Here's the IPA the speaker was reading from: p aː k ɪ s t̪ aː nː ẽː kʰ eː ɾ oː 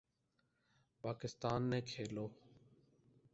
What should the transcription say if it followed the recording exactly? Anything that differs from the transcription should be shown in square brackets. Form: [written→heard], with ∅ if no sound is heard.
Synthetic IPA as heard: p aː k ɪ s t̪ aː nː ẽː kʰ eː [ɾ→l] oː